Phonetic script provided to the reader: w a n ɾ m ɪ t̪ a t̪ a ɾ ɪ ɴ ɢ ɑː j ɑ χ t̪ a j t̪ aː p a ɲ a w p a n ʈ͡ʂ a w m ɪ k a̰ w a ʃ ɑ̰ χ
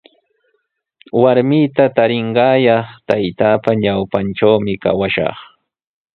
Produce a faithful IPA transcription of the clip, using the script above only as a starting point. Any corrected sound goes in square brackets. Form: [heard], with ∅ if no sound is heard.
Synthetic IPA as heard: w a [∅] ɾ m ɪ t̪ a t̪ a ɾ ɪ ɴ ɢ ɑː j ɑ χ t̪ a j t̪ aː p a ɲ a w p a n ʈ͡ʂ a w m ɪ k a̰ w a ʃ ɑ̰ χ